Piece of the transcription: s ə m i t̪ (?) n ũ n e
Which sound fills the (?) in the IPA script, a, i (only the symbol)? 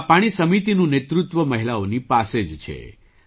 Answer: i